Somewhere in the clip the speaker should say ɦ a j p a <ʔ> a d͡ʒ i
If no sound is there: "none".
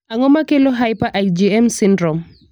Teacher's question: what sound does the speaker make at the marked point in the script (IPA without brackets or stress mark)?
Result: ʔ